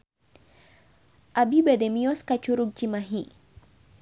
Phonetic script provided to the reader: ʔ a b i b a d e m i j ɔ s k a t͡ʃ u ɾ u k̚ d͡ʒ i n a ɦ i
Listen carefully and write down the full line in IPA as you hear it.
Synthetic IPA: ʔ a b i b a d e m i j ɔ s k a t͡ʃ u ɾ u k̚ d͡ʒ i m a ɦ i